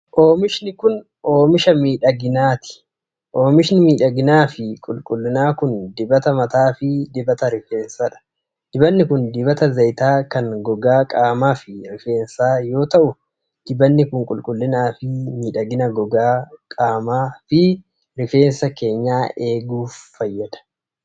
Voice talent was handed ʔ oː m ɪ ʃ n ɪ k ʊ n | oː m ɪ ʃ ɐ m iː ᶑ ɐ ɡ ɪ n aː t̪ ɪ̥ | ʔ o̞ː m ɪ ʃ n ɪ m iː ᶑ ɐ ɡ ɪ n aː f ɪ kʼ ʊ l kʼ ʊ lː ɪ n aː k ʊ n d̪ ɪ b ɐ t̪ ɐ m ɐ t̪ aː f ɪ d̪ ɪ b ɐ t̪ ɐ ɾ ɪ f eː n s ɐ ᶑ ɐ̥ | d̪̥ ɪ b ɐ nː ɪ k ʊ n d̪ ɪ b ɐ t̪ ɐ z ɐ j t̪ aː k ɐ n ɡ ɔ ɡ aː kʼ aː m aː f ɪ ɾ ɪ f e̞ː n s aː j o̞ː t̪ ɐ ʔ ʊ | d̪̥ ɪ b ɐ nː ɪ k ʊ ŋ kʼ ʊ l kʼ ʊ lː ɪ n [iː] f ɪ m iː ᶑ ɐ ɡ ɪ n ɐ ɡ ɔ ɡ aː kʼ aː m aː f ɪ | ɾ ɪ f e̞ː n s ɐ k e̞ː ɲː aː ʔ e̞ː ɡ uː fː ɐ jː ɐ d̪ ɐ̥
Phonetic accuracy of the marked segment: incorrect: aː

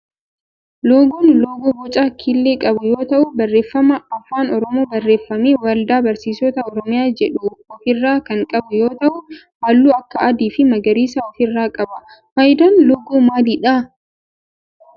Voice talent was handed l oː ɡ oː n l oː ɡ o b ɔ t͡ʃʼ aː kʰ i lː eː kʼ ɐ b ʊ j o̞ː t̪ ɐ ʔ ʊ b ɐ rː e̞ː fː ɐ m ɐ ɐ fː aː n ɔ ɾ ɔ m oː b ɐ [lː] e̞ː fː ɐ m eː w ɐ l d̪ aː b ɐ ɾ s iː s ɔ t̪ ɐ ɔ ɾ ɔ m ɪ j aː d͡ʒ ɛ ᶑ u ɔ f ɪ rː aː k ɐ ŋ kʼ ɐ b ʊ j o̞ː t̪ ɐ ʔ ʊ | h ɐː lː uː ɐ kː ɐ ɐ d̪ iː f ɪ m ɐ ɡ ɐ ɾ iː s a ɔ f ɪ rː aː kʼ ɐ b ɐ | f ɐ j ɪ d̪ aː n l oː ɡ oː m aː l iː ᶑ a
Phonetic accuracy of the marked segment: incorrect: rː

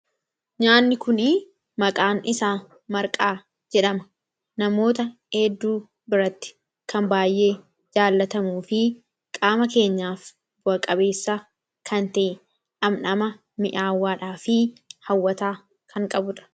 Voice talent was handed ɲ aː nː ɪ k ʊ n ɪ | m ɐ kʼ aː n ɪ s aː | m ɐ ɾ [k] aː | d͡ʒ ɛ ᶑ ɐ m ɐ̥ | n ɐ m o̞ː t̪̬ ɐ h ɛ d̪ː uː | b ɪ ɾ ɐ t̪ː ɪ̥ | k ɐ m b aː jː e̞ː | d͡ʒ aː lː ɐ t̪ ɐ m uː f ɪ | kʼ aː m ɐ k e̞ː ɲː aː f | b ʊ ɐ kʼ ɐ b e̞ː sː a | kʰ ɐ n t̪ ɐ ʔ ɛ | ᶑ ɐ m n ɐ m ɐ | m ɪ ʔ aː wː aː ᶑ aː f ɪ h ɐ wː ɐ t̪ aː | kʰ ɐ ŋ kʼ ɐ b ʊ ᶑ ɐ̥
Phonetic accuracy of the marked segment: incorrect: kʼ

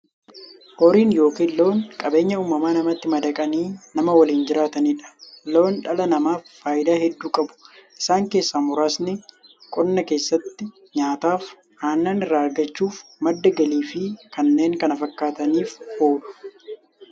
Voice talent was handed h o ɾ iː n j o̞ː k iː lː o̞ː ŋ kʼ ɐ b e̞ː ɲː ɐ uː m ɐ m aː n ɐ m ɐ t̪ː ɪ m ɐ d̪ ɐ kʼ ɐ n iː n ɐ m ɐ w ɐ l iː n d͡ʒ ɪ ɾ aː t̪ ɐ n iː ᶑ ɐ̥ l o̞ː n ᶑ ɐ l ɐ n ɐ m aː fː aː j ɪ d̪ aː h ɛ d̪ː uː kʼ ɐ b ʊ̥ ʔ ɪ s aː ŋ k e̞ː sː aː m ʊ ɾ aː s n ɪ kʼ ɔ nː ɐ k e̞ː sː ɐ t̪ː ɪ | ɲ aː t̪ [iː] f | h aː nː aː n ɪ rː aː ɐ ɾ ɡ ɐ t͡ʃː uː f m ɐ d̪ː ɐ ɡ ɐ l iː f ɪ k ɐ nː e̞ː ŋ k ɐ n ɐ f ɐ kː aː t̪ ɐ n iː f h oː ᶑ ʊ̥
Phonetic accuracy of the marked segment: incorrect: aː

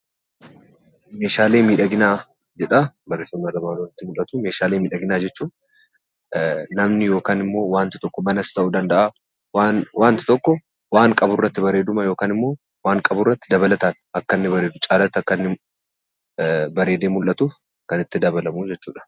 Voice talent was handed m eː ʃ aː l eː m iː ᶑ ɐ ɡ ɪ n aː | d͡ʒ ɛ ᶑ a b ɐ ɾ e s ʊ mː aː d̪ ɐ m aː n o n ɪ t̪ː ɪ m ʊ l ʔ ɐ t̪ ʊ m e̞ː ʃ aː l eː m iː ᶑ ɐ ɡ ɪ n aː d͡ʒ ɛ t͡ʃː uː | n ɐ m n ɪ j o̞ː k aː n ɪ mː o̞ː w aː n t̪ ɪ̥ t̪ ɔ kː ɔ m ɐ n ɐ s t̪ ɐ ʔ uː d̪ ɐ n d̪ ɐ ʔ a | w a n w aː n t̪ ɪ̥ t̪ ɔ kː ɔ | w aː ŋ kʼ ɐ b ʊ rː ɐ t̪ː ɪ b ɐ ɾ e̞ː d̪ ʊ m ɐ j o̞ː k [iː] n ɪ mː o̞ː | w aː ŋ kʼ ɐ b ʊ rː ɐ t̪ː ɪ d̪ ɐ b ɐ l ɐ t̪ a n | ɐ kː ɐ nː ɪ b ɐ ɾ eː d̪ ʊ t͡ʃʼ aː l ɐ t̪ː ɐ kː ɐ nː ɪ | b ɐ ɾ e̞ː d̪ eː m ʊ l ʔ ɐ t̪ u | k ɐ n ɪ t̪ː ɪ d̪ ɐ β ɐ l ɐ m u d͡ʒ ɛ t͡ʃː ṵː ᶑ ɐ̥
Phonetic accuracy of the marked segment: incorrect: aː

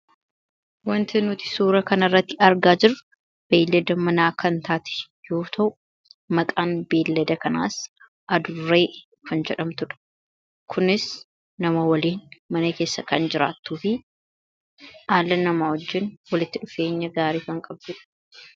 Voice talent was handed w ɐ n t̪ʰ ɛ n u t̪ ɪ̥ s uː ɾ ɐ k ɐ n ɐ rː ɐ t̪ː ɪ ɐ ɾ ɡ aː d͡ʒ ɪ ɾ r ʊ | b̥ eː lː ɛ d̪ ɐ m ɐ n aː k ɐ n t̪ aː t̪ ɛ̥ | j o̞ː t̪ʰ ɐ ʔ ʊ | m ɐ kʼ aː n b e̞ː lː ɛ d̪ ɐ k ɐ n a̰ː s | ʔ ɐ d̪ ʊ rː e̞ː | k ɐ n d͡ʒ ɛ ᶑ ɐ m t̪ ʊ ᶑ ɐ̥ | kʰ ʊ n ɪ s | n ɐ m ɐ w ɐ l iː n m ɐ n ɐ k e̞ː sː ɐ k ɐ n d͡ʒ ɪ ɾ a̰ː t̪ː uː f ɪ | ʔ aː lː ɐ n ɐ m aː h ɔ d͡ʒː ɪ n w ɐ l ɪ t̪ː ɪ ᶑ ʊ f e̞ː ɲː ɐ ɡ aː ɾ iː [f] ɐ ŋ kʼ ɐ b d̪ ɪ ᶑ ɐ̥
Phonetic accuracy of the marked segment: correct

